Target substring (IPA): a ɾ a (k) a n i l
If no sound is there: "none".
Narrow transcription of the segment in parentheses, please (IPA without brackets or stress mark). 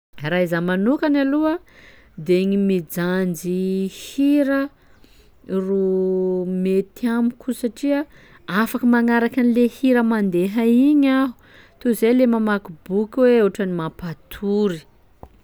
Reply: k